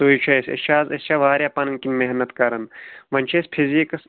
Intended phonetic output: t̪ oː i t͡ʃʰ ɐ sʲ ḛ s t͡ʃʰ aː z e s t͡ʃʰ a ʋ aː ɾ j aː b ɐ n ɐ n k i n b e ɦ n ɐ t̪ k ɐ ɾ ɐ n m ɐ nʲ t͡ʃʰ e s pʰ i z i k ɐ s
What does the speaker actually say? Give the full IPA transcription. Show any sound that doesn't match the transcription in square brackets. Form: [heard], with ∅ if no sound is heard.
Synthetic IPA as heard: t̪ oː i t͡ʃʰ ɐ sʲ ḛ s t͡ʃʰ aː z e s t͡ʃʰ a ʋ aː ɾ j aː [p] ɐ n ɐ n k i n [m] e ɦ n ɐ t̪ k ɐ ɾ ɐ n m ɐ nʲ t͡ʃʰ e s pʰ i z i k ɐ s